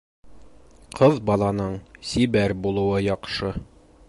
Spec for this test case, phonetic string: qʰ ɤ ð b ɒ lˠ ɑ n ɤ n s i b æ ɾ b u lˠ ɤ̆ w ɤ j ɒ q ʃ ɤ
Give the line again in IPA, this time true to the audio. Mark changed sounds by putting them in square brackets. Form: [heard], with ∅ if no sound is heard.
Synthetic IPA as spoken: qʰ ɤ ð b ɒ lˠ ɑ n ɤ [ɴ] s i b æ ɾ b u lˠ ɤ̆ w ɤ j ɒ q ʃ ɤ